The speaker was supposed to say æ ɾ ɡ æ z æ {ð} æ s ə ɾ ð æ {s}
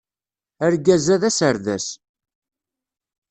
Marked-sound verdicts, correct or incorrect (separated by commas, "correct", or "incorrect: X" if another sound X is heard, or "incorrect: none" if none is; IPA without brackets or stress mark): correct, correct